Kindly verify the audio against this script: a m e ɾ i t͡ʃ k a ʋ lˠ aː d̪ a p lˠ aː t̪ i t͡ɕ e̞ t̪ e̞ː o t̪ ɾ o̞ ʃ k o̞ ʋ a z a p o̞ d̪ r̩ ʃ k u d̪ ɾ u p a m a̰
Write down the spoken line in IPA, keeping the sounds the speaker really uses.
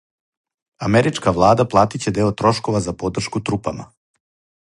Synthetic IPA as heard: a m e ɾ i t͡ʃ k a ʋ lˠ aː d̪ a p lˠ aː t̪ i t͡ɕ e̞ d̪ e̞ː o t̪ ɾ o̞ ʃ k o̞ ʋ a z a p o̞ d̪ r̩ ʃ k u t̪ ɾ u p a m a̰